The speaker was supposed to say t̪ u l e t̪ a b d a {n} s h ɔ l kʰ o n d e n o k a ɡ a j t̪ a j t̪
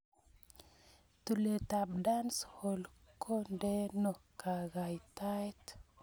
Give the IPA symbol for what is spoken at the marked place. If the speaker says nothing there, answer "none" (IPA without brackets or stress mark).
n